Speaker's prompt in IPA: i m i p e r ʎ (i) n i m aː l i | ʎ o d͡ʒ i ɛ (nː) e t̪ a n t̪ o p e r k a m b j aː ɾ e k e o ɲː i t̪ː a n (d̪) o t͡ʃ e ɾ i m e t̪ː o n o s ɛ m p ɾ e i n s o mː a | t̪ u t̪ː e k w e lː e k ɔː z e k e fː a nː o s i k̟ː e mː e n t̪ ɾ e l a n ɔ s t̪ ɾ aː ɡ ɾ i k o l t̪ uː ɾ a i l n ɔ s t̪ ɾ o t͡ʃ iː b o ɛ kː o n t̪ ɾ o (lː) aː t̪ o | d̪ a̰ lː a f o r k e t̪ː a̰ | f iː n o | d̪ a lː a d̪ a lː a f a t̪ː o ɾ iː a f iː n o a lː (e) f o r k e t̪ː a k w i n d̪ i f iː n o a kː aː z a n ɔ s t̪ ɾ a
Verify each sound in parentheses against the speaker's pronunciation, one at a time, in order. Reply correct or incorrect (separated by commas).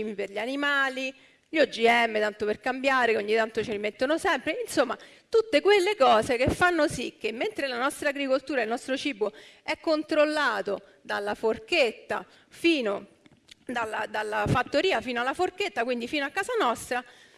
incorrect, incorrect, incorrect, correct, incorrect